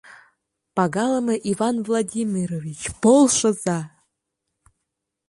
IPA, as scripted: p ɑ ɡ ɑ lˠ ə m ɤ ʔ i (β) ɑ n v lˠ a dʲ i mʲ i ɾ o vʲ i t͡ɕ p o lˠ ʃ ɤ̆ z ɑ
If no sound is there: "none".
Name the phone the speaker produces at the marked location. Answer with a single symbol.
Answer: v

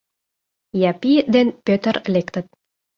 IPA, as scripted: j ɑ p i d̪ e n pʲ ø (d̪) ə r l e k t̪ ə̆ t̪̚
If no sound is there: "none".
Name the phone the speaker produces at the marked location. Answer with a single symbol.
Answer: t̪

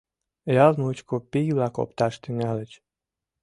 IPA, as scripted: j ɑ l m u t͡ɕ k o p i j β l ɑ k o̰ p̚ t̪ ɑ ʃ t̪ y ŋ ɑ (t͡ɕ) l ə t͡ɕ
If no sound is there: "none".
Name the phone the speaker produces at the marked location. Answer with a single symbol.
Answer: none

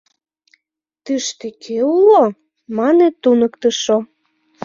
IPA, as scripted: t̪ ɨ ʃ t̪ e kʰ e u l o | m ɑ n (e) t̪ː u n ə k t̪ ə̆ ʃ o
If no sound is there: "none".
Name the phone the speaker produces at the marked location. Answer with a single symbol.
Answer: e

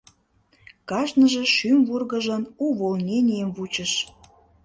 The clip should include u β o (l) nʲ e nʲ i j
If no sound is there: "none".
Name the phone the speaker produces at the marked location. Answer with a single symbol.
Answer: l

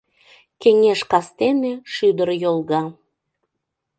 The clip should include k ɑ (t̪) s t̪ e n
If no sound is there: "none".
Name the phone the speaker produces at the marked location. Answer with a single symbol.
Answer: none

